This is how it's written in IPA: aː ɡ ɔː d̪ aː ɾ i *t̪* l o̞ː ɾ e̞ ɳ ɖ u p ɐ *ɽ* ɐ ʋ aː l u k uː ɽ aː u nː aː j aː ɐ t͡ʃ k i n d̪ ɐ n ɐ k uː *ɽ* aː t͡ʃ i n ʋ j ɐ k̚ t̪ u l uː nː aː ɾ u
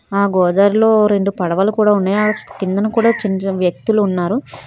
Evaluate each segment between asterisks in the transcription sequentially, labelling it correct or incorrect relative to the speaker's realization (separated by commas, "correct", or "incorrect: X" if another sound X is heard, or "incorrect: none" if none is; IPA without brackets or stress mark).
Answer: incorrect: none, correct, correct